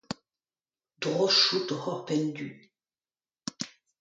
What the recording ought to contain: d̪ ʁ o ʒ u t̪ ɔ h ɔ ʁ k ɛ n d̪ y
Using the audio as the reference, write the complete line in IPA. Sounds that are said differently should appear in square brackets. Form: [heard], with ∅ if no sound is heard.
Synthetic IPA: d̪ ʁ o [ʃ] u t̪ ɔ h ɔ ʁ [p] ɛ n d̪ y